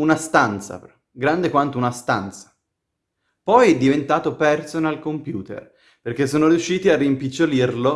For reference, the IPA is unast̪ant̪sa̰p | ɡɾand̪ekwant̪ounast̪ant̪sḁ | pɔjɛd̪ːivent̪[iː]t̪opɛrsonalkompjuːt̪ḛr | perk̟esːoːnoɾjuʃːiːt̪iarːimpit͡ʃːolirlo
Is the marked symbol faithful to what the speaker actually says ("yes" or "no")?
no